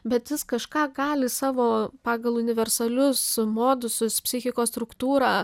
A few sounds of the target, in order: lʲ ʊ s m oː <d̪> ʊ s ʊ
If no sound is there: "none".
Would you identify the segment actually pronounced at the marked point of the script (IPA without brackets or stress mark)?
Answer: d̪